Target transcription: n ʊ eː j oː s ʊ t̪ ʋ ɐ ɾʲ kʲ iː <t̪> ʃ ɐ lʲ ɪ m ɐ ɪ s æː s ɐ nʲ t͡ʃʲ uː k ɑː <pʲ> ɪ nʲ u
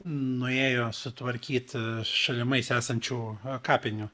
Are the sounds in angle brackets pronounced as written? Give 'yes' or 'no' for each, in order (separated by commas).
yes, yes